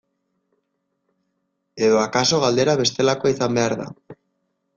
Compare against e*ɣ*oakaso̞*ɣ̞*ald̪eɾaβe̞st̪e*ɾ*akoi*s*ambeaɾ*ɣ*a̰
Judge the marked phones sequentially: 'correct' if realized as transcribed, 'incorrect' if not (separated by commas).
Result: incorrect, correct, incorrect, incorrect, incorrect